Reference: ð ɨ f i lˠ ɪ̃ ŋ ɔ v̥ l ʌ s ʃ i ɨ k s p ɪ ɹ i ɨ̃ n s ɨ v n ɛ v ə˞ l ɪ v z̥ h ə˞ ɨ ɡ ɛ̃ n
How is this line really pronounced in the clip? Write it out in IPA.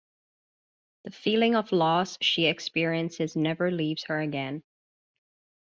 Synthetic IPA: ð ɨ f i lˠ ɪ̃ ŋ ʌ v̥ l ɔ s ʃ i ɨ k s p ɪ ɹ i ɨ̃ n s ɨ z n ɛ v ə˞ l i v z̥ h ə˞ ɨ ɡ ɛ̃ n